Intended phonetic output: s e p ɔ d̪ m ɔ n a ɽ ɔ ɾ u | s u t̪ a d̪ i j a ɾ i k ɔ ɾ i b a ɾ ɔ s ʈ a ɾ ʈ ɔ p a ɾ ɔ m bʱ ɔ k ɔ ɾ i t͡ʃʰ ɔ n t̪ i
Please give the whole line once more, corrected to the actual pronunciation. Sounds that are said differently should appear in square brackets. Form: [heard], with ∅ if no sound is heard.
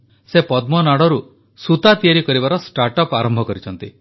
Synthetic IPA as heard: s e p ɔ d̪ m ɔ n a ɽ ɔ ɾ u | s u t̪ a [t̪] i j a ɾ i k ɔ ɾ i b a ɾ ɔ s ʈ a ɾ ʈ ɔ p a ɾ ɔ m bʱ ɔ k ɔ ɾ i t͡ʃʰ ɔ n t̪ i

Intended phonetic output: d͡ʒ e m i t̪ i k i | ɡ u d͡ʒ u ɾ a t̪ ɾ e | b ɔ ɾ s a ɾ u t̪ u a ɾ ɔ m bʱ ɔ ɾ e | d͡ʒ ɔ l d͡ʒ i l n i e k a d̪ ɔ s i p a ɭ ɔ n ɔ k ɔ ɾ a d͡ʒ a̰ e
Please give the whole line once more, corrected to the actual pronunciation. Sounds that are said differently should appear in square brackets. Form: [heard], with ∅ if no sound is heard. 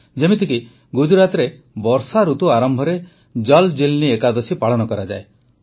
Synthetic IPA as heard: d͡ʒ e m i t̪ i k i | ɡ u d͡ʒ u ɾ a t̪ ɾ e | b ɔ ɾ s a ɾ u t̪ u a ɾ ɔ m bʱ ɔ ɾ e | d͡ʒ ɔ l d͡ʒ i l n i e k a d̪ ɔ s i p a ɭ ɔ n ɔ k ɔ ɾ a d͡ʒ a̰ e

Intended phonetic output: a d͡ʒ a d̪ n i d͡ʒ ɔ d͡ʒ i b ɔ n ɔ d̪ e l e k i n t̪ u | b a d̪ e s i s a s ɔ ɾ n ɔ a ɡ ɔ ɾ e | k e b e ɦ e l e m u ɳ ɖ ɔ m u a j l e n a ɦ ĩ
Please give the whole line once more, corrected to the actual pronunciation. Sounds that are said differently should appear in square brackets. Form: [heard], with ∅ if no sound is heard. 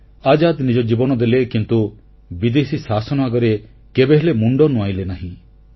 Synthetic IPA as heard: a d͡ʒ a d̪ n i d͡ʒ ɔ d͡ʒ i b ɔ n ɔ d̪ e l e k i n t̪ u | b [i] d̪ e s i s a s ɔ [∅] n ɔ a ɡ ɔ ɾ e | k e b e ɦ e l e m u ɳ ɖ ɔ [n] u a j l e n a ɦ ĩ

